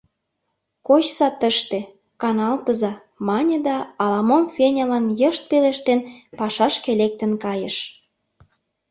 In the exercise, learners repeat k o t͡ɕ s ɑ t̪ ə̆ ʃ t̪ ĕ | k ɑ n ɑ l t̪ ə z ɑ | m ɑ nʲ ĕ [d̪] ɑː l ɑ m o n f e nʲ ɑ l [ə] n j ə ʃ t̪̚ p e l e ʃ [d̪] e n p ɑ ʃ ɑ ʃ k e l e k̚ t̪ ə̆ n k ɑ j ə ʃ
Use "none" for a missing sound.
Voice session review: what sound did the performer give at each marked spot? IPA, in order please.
d̪, ɑ, t̪

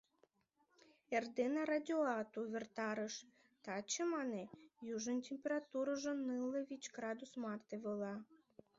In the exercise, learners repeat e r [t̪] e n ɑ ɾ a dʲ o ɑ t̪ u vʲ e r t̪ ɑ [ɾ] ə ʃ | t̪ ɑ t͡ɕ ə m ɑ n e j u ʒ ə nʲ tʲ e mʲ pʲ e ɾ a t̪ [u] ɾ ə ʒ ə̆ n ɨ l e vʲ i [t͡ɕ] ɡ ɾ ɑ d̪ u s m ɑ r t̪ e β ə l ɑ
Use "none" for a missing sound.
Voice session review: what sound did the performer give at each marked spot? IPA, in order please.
d̪, ɾ, u, t͡ɕ

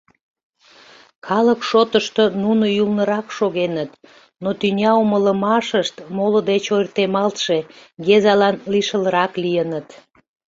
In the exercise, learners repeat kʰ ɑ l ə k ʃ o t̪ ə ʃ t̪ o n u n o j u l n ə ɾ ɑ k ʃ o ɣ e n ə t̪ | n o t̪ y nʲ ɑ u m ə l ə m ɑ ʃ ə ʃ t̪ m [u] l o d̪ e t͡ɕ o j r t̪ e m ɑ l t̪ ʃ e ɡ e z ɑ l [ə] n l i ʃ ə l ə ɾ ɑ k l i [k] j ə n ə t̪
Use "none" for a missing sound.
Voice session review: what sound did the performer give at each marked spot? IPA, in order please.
o, ɑ, none

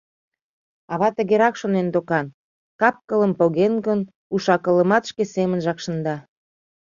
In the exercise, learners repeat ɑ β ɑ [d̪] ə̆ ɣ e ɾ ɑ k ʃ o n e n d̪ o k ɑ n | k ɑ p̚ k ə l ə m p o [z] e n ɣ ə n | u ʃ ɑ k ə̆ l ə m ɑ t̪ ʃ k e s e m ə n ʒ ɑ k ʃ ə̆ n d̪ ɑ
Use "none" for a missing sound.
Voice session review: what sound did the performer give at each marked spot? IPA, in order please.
t̪, ɣ

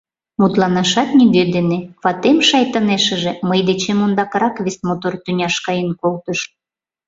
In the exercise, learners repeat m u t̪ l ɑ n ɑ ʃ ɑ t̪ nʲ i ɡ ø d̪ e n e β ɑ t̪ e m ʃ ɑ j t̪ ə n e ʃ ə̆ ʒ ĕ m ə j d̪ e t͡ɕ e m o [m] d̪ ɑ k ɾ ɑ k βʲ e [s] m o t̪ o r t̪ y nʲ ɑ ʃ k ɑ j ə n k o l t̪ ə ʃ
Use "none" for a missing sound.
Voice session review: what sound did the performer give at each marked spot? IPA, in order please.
n, s

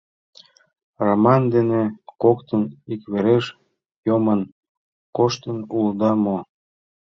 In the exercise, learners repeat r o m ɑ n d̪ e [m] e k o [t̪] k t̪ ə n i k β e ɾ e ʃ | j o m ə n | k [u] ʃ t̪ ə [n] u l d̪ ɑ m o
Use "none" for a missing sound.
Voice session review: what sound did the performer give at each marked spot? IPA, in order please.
n, none, o, n

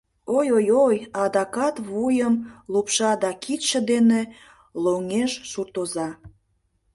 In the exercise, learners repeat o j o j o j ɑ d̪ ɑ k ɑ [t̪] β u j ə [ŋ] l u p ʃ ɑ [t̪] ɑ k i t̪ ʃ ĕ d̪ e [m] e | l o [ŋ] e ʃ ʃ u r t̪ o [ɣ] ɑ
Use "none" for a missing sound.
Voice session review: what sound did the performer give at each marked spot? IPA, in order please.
t̪, m, d̪, n, ŋ, z

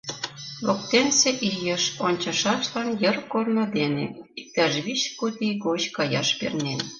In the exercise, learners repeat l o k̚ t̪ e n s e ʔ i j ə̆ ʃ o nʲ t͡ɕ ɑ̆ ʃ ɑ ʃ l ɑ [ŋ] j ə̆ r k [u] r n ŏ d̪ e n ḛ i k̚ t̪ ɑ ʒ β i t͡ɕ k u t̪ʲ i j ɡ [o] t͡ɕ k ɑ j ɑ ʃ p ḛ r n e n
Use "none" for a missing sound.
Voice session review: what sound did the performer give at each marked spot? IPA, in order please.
n, o, o

